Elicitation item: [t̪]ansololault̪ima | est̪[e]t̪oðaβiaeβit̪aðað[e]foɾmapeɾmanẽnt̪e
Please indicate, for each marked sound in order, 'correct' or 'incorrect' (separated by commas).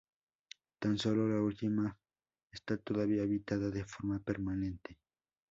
correct, incorrect, correct